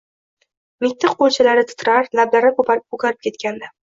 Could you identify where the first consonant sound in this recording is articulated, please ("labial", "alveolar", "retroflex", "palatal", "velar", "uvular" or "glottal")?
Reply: labial